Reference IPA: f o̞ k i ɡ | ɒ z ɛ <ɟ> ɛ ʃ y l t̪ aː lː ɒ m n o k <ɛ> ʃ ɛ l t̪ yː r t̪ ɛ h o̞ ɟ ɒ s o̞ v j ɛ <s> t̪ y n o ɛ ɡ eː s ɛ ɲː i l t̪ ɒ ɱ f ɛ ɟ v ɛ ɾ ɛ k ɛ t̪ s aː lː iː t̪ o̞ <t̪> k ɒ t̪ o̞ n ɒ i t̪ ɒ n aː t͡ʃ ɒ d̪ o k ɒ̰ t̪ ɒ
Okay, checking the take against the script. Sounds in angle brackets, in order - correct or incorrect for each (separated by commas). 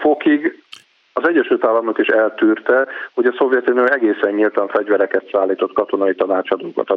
incorrect, incorrect, incorrect, correct